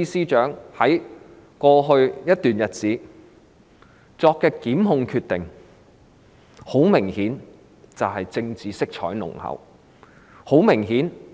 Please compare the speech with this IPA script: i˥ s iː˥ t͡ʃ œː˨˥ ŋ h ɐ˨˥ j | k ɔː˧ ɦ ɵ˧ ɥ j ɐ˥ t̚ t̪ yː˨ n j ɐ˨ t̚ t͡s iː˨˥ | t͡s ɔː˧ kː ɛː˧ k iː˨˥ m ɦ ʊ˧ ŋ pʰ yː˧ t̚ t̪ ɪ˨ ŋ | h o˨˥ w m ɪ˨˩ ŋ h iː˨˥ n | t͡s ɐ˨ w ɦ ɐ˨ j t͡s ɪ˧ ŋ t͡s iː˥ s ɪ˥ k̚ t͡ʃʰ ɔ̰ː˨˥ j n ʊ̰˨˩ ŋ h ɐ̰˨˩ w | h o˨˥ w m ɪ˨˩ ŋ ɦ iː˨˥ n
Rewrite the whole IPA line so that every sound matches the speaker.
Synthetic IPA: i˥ s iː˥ t͡ʃ œː˨˥ ŋ h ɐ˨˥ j | k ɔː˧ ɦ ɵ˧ ɥ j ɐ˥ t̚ t̪ yː˨ n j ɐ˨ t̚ t͡s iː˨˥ | t͡s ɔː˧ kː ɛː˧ k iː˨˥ m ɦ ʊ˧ ŋ kʰ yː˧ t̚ t̪ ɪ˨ ŋ | h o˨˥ w m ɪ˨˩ ŋ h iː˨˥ n | t͡s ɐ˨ w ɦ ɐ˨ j t͡s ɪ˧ ŋ t͡s iː˨˩ s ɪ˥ k̚ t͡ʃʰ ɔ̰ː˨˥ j n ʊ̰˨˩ ŋ h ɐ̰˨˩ w | h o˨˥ w m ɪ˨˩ ŋ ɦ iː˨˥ n